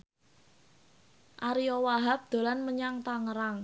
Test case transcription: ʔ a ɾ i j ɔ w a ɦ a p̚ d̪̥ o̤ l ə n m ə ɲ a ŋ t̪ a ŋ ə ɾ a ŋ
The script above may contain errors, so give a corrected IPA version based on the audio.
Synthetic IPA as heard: ʔ a ɾ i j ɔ w a ɦ a p̚ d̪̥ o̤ l a n m ə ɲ a ŋ t̪ a ŋ ə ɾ a ŋ